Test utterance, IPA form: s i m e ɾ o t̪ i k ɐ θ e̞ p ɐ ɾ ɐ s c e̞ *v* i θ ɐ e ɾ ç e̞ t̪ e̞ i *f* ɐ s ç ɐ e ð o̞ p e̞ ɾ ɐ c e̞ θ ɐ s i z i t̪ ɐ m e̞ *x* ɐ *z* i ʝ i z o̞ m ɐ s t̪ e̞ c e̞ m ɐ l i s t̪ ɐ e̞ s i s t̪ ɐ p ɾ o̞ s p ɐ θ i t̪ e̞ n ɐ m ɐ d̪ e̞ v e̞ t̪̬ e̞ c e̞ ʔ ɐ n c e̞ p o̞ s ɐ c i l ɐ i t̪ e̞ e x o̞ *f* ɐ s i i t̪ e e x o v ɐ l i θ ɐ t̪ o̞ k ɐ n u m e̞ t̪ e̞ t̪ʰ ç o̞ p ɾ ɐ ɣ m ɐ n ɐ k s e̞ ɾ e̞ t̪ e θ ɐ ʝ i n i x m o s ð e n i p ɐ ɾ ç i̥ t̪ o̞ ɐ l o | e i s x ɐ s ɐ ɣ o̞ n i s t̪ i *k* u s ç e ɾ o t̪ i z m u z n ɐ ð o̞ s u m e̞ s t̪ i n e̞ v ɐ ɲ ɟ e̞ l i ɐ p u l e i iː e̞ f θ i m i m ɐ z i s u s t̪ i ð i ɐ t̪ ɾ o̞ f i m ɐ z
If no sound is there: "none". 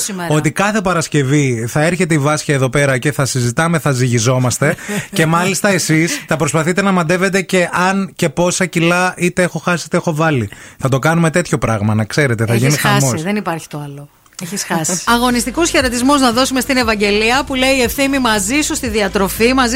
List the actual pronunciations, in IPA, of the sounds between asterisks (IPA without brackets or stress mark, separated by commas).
v, v, θ, z, x, k